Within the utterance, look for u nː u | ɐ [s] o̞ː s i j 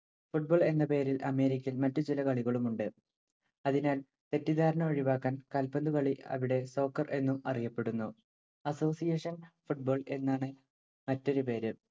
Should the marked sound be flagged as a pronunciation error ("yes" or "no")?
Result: no